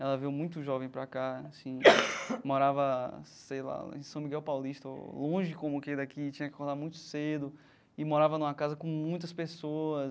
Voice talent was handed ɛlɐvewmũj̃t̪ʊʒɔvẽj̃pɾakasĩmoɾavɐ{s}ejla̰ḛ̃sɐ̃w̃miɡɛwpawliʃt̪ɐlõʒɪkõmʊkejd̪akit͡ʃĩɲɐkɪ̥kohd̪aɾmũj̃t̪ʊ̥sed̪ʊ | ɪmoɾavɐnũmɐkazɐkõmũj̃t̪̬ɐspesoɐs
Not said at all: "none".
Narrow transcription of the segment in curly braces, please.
s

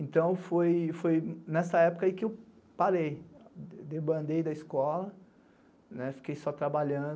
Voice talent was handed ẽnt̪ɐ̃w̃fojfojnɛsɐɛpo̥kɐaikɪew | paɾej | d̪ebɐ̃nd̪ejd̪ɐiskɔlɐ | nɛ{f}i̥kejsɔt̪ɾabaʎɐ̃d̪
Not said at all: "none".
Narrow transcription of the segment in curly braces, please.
f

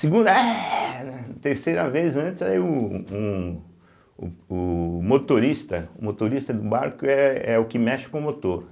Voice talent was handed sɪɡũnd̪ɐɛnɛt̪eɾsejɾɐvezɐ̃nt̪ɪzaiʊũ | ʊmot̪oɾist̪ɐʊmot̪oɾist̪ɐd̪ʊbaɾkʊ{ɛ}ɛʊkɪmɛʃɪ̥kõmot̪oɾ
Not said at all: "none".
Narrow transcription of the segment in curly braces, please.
ɛ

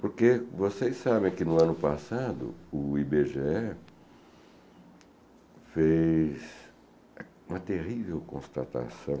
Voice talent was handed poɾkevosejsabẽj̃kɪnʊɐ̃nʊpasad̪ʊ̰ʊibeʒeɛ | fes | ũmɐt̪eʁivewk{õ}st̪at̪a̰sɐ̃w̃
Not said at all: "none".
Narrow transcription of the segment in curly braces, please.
õ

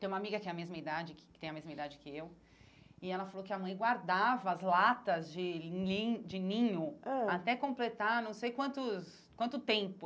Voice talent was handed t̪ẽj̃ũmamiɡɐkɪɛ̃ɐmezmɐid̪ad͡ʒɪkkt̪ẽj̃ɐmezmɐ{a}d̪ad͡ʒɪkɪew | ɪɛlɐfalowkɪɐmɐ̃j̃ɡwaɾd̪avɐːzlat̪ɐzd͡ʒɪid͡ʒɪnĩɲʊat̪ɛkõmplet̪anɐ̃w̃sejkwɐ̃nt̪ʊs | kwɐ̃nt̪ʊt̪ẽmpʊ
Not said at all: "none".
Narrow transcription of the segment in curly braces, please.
i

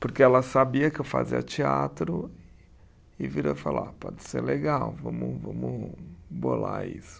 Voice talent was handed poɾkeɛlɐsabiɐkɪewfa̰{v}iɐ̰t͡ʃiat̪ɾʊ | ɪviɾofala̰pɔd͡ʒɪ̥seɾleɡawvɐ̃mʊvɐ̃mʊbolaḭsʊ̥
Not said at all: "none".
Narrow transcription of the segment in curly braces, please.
z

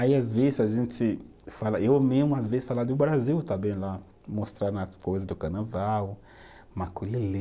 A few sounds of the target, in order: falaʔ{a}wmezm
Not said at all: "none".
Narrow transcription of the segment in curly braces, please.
e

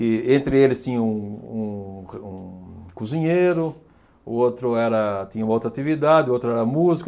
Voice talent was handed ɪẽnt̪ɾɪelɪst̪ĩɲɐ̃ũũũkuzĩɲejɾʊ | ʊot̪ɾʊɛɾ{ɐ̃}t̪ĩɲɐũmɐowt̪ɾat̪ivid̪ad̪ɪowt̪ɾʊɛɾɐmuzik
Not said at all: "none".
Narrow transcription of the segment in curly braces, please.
ɐ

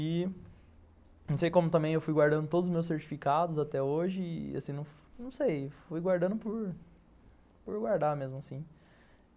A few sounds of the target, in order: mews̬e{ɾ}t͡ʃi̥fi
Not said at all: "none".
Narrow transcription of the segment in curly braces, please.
ɾ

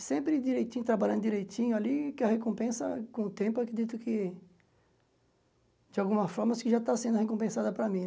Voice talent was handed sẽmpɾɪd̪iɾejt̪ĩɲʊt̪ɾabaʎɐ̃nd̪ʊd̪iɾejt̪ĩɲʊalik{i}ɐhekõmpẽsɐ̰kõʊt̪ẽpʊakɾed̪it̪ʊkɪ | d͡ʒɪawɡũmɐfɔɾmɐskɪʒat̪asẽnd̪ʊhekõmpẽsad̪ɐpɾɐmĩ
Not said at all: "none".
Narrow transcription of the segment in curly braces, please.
ɪ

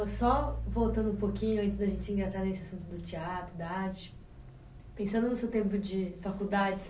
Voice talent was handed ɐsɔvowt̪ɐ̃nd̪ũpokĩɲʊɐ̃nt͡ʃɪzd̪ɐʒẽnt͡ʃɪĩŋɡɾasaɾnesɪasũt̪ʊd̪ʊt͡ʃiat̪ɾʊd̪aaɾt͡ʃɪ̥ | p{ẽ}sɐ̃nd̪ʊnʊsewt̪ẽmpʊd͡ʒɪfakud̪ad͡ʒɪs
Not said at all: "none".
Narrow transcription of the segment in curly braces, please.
ẽ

